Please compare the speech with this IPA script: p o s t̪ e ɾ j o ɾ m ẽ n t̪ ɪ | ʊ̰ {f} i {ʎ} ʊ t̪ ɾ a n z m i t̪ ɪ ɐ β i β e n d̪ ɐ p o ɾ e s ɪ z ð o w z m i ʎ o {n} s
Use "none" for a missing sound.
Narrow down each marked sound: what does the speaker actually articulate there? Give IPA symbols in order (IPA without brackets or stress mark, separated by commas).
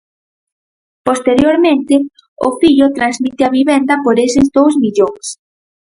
f, ʎ, ŋ